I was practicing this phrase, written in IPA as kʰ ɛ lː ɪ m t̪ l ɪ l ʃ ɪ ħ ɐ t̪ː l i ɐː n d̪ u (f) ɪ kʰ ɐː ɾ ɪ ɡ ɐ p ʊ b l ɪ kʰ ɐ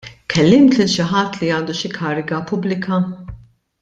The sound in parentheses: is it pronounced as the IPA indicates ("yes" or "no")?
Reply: no